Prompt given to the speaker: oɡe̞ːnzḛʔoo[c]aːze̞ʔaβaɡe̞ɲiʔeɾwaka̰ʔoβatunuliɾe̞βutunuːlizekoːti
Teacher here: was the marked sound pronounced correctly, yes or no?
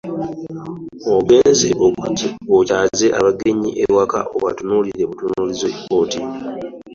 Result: yes